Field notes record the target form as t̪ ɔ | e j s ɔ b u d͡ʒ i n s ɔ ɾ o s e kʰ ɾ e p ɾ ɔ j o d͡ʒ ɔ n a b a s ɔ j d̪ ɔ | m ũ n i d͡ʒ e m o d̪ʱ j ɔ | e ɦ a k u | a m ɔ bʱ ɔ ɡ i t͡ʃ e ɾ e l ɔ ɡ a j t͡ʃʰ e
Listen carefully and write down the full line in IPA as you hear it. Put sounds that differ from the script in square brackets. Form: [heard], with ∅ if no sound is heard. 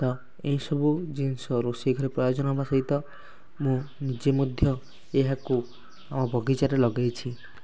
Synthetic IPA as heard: t̪ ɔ | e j s ɔ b u d͡ʒ i n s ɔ ɾ o s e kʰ ɾ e p ɾ ɔ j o d͡ʒ ɔ n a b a s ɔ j [t̪] ɔ | m ũ n i d͡ʒ e m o d̪ʱ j ɔ | e ɦ a k u | a m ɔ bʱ ɔ ɡ i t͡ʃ [a] ɾ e l ɔ ɡ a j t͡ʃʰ [i]

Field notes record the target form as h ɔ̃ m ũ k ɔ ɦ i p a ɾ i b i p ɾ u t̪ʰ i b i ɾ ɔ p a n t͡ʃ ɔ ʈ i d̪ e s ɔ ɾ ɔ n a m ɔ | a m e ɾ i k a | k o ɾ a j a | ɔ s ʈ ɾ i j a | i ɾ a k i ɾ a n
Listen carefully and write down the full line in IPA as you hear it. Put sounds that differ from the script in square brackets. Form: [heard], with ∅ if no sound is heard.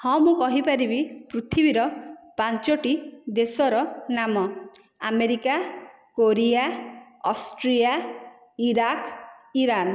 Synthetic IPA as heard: h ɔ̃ m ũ k ɔ ɦ i p a ɾ i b i p ɾ u t̪ʰ i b i ɾ ɔ p a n t͡ʃ ɔ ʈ i d̪ e s ɔ ɾ ɔ n a m ɔ | a m e ɾ i k a | k o ɾ [i] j a | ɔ s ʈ ɾ i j a | i ɾ a k i ɾ a n

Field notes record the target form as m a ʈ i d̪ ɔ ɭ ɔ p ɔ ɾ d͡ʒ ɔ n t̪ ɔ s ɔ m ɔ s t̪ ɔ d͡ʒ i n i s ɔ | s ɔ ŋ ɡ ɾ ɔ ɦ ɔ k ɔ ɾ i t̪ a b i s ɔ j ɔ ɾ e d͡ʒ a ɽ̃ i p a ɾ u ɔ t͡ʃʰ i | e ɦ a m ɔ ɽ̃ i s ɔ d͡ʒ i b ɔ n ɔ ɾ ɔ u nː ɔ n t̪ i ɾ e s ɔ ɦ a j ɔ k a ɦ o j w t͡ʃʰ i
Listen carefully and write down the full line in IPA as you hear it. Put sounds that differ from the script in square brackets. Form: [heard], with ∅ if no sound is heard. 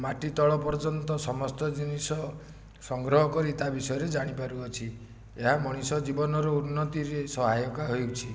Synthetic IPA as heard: m a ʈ i [t̪] ɔ ɭ ɔ p ɔ ɾ d͡ʒ ɔ n t̪ ɔ s ɔ m ɔ s t̪ ɔ d͡ʒ i n i s ɔ | s ɔ ŋ ɡ ɾ ɔ ɦ ɔ k ɔ ɾ i t̪ a b i s ɔ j ɔ ɾ e d͡ʒ a ɽ̃ i p a ɾ u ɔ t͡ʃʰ i | e ɦ a m ɔ ɽ̃ i s ɔ d͡ʒ i b ɔ n ɔ ɾ ɔ u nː ɔ [∅] t̪ i ɾ e s ɔ ɦ a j ɔ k a ɦ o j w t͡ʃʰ i

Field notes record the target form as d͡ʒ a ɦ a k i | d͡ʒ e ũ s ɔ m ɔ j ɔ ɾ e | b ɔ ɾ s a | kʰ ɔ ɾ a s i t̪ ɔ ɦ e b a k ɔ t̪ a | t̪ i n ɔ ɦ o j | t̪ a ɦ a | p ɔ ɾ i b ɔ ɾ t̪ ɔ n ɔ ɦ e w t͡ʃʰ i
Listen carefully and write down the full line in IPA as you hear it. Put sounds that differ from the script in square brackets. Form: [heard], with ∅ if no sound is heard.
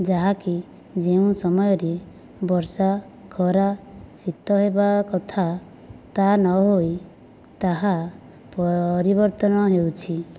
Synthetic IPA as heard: d͡ʒ a ɦ a k i | d͡ʒ e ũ s ɔ m ɔ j ɔ ɾ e | b ɔ ɾ s a | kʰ ɔ ɾ a s i t̪ ɔ ɦ e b a k ɔ [t̪ʰ] a | t̪ [a] n ɔ ɦ o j | t̪ a ɦ a | p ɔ ɾ i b ɔ ɾ t̪ ɔ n ɔ ɦ e w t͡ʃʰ i

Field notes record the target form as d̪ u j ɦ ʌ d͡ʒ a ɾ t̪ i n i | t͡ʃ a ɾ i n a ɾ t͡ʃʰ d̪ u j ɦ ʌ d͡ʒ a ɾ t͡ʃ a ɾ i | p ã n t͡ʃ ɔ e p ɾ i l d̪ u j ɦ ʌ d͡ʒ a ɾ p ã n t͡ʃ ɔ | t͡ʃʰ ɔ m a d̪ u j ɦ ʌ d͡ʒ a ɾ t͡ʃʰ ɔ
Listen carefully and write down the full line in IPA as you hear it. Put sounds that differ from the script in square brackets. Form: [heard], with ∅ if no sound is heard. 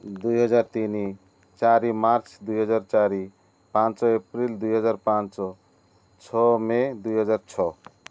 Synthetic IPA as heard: d̪ u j ɦ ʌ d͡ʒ a ɾ t̪ i n i | t͡ʃ a ɾ i [m] a ɾ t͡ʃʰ d̪ u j ɦ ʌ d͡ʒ a ɾ t͡ʃ a ɾ i | p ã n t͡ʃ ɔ e p ɾ i l d̪ u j ɦ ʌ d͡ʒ a ɾ p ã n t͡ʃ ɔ | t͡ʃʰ ɔ m [e] d̪ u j ɦ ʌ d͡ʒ a ɾ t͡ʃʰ ɔ

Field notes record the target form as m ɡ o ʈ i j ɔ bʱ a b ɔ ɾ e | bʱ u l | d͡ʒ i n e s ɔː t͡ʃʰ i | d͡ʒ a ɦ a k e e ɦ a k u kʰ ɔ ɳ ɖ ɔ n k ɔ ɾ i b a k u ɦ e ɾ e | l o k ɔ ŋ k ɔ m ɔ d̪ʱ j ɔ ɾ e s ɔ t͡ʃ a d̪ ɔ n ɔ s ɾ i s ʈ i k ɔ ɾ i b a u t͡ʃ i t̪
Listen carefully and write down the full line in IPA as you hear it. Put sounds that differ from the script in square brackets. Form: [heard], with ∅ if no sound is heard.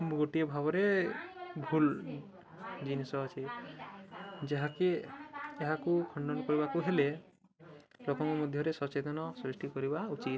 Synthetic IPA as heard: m ɡ o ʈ i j ɔ bʱ a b ɔ ɾ e | bʱ u l | d͡ʒ i n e s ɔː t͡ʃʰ i | d͡ʒ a ɦ a k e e ɦ a k u kʰ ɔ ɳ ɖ ɔ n k ɔ ɾ i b a k u ɦ e [l] e | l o k ɔ ŋ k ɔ m ɔ d̪ʱ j ɔ ɾ e s ɔ t͡ʃ [e] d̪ ɔ n ɔ s ɾ i s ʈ i k ɔ ɾ i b a u t͡ʃ i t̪

